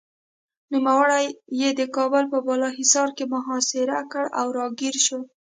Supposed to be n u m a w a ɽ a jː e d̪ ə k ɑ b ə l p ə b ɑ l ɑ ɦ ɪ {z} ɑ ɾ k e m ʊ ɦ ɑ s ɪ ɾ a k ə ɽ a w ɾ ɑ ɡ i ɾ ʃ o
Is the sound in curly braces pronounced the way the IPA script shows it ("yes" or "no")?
no